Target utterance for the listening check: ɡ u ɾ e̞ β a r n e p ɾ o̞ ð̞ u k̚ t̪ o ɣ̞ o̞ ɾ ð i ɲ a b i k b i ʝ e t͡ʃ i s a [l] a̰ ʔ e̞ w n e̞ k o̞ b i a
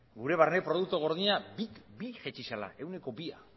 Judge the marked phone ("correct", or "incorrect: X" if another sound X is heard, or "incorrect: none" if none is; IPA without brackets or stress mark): correct